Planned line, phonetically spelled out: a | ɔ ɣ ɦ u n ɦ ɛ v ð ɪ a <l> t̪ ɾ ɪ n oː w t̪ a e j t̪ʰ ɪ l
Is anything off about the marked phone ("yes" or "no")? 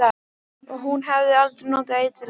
no